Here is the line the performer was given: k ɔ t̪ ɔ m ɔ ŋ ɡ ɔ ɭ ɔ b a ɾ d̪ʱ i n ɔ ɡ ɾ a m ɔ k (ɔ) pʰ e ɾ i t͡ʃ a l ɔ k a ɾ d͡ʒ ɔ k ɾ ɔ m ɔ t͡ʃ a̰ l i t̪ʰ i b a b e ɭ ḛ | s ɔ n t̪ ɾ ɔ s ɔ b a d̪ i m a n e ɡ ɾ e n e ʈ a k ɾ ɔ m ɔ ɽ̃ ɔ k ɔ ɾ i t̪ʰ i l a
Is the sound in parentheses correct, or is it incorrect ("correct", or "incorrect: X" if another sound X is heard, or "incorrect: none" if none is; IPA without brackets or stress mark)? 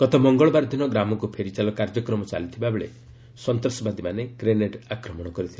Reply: incorrect: u